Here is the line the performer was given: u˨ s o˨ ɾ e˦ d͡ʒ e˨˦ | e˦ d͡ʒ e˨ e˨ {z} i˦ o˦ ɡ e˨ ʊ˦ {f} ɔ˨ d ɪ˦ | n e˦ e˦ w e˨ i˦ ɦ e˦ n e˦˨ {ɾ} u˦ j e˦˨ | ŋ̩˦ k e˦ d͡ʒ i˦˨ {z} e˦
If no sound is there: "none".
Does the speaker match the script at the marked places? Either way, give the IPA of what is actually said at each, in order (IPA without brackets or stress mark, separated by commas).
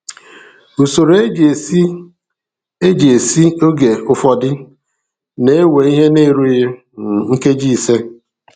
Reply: s, f, ɾ, s